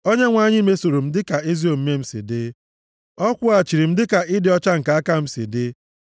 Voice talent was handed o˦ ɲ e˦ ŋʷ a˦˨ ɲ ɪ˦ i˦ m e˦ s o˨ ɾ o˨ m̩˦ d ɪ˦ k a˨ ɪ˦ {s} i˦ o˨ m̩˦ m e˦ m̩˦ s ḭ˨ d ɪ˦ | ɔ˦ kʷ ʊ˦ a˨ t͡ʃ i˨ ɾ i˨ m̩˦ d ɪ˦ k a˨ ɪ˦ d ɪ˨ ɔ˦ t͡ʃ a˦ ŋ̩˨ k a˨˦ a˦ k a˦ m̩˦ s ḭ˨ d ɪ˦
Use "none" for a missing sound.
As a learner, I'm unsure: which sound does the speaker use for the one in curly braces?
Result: z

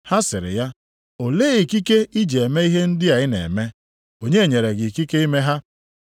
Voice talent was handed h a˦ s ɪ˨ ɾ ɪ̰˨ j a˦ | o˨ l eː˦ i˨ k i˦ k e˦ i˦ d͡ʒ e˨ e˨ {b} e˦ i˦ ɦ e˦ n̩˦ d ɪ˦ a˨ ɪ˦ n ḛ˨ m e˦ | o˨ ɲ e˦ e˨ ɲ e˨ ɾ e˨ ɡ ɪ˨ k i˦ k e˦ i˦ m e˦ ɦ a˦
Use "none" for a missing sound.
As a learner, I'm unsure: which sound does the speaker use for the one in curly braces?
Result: m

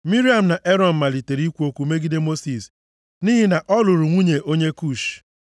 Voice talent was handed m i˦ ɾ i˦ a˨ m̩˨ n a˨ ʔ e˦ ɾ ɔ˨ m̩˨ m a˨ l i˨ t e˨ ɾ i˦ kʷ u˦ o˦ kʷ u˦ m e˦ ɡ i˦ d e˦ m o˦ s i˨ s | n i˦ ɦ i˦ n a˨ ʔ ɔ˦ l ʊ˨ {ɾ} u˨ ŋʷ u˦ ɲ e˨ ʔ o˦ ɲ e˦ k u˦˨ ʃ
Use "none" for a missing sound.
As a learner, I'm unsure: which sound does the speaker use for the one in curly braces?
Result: ɾ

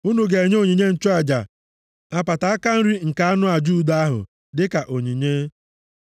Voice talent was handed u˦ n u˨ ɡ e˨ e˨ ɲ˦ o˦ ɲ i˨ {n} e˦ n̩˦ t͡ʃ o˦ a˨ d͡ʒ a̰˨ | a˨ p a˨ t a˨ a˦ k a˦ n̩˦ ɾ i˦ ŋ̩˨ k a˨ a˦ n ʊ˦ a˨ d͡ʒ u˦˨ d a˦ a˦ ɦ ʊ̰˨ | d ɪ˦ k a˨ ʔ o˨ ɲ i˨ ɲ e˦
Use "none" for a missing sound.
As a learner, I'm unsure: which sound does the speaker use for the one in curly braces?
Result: ɲ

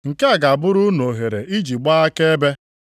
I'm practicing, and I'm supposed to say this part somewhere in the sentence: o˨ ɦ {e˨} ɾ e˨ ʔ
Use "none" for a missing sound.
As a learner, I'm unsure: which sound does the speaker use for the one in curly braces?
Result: e˨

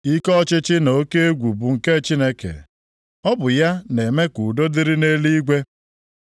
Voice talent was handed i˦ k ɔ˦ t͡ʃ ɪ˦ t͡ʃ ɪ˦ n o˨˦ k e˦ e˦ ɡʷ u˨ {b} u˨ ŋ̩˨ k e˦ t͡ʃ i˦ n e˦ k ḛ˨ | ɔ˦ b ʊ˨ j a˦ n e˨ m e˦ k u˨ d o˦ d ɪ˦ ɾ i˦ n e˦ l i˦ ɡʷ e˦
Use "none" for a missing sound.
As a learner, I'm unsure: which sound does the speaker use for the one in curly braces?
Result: b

